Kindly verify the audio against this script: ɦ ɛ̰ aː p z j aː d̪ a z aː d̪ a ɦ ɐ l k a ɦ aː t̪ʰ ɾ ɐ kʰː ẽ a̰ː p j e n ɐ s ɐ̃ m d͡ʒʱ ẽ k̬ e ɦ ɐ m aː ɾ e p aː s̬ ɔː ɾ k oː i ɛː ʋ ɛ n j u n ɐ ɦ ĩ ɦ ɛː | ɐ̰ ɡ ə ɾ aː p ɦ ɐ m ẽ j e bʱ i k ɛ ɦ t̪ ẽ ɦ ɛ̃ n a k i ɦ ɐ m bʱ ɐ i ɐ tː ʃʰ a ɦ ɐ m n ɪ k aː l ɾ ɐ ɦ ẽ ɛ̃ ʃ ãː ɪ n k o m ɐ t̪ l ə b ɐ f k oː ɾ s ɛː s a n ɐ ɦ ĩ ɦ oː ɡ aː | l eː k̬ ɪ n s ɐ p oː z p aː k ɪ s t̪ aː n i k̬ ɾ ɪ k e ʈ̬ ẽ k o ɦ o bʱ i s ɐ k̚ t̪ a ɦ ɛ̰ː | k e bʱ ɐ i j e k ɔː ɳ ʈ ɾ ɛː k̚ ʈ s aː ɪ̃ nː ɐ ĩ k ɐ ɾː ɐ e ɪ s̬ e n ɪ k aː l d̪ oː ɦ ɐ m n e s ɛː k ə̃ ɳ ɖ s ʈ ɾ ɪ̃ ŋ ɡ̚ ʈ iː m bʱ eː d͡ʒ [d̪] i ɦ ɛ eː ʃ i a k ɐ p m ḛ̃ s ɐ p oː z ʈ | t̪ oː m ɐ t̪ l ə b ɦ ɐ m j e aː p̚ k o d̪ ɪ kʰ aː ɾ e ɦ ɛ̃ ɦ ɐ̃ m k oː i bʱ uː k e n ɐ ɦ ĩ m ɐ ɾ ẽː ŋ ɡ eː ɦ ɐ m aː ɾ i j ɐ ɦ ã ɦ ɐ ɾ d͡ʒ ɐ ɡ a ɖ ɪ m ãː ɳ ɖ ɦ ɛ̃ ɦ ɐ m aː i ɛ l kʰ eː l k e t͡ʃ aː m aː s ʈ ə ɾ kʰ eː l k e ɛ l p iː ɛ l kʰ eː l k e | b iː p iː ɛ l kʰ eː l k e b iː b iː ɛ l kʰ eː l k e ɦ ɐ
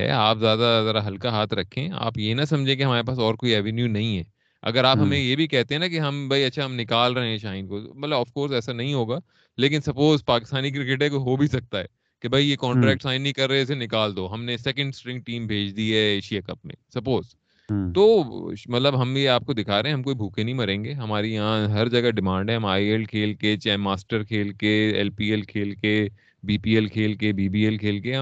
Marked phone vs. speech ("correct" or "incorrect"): correct